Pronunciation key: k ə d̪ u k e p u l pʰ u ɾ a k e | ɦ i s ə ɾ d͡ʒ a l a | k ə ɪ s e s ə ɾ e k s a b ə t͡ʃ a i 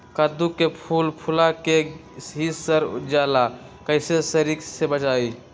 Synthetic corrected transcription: k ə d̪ u k e pʰ u l pʰ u l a k e | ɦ i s ə ɾ d͡ʒ a l a | k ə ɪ s e s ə ɾ i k s e b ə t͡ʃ a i